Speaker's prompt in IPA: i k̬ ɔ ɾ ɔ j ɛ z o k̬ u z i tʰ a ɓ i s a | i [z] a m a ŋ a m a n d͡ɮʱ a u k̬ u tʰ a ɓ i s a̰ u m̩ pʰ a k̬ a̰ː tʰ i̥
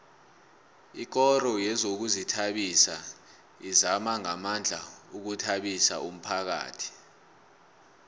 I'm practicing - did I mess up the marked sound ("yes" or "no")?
no